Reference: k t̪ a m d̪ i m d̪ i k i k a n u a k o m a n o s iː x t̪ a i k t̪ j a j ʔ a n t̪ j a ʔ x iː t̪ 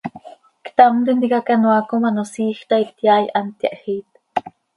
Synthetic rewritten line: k t̪ a m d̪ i n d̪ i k a k a n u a k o m a n o s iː x t̪ a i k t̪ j a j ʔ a n t̪ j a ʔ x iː t̪